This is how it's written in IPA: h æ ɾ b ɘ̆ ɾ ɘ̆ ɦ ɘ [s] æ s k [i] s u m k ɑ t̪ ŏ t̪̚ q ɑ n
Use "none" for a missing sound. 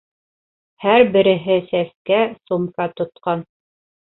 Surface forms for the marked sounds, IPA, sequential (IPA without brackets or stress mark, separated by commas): s, æ